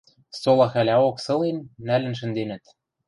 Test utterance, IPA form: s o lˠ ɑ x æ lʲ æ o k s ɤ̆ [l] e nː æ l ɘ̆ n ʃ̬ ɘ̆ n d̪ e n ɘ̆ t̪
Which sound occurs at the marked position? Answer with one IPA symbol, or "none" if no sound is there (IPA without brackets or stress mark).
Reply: l